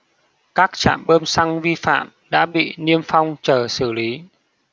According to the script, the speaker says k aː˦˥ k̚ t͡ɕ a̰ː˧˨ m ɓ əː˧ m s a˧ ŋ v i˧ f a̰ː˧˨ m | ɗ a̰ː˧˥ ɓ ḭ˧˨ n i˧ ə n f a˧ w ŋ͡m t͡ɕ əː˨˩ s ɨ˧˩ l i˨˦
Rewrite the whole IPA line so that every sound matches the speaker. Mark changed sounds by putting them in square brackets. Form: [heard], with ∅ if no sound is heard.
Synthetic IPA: k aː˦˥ k̚ t͡ɕ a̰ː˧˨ m ɓ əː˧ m s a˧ ŋ v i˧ f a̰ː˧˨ m | ɗ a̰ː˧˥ ɓ ḭ˧˨ n i˧ ə [m] f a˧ w ŋ͡m t͡ɕ əː˨˩ s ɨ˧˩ l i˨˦